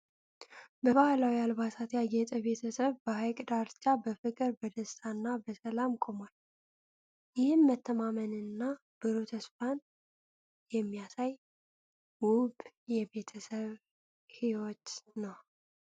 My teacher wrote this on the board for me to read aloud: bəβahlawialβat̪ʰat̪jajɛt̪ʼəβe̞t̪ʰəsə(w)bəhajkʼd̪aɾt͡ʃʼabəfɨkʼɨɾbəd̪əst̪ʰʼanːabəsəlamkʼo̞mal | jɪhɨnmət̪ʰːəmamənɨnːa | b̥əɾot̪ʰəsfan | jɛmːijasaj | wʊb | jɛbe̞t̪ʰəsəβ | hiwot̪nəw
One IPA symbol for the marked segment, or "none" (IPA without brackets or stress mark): β